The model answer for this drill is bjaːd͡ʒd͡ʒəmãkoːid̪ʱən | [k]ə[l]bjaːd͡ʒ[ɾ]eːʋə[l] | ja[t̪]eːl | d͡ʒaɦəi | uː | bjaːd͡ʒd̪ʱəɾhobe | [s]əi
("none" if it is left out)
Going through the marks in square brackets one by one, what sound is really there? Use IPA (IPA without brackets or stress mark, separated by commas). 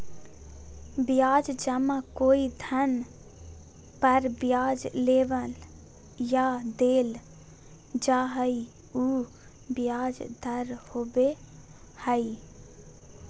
p, ɾ, l, l, d̪, h